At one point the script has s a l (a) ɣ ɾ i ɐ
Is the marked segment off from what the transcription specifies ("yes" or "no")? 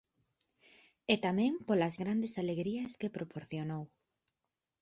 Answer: yes